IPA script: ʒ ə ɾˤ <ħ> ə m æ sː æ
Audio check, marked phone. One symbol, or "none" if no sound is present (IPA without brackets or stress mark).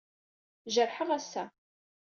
ħ